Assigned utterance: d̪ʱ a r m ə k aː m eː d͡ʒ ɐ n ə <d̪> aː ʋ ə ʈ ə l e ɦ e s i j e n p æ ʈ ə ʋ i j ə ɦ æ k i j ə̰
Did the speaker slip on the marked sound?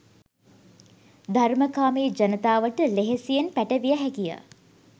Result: yes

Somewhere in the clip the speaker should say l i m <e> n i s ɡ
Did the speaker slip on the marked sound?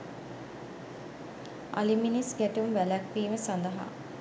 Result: yes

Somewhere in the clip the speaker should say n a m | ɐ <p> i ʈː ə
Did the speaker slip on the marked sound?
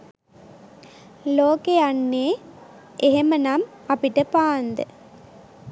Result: no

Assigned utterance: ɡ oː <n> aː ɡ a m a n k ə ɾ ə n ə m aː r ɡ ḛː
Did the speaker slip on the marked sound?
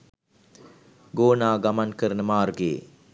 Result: no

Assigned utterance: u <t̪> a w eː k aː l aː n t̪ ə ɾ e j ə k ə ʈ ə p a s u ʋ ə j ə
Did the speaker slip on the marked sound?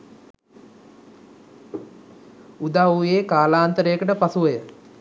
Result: yes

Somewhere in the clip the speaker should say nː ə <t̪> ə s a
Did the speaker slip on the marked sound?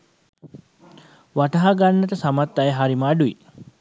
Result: no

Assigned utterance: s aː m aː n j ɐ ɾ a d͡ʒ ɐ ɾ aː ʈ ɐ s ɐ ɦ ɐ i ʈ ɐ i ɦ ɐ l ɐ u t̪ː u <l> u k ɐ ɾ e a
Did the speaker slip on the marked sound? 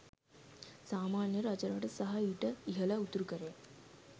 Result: yes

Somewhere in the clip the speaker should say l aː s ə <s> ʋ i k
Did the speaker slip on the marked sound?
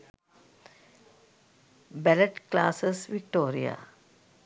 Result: no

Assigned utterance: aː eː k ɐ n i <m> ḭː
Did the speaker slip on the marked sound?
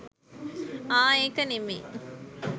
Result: no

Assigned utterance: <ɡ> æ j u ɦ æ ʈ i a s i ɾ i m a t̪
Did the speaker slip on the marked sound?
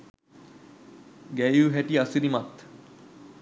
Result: no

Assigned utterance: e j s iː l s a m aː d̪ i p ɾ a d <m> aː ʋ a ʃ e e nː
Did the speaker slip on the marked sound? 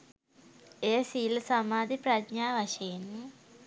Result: yes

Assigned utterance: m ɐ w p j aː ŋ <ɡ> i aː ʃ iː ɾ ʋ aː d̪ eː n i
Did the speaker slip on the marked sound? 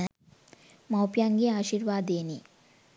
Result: no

